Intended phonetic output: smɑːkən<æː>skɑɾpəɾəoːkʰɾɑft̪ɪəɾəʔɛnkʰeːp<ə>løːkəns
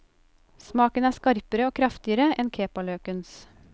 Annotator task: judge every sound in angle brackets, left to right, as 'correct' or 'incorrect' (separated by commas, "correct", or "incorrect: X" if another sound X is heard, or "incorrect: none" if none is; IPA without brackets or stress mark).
correct, incorrect: ɑ